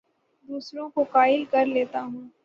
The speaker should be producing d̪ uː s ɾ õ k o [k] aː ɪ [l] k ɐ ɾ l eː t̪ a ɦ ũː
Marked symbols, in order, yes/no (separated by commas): yes, yes